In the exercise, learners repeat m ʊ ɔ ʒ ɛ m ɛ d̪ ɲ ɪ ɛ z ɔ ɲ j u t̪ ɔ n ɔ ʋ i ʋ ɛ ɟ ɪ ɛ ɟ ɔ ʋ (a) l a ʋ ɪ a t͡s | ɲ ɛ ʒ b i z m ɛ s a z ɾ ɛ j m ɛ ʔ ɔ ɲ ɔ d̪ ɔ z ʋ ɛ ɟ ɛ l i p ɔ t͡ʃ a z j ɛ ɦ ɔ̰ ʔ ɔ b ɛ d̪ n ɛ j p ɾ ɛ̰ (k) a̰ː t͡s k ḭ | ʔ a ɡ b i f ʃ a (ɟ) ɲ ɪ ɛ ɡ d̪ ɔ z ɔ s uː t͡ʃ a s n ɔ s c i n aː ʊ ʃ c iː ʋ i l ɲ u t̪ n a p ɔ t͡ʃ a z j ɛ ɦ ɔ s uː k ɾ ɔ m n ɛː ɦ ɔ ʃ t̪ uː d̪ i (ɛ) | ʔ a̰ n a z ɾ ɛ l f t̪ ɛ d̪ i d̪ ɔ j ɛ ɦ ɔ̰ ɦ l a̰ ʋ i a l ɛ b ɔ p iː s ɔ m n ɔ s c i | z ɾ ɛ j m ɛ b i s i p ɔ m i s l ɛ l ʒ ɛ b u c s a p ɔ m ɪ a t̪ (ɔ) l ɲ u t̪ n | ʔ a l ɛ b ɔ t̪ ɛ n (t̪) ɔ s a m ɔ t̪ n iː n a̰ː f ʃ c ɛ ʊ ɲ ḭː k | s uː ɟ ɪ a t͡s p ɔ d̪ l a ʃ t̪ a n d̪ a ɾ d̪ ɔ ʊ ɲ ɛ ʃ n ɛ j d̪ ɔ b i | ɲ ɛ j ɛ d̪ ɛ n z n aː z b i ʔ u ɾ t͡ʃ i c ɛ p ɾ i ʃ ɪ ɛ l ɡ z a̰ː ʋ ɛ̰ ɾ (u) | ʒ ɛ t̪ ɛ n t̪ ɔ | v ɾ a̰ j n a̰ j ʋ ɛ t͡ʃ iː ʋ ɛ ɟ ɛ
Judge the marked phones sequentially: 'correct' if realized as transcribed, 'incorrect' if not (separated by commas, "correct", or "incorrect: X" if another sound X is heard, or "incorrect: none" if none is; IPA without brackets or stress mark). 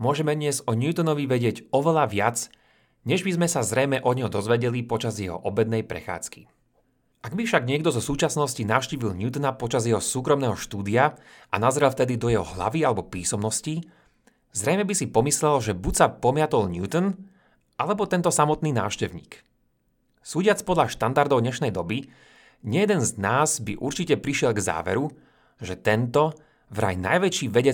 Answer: incorrect: ɛ, incorrect: x, incorrect: ɡ, incorrect: a, correct, correct, correct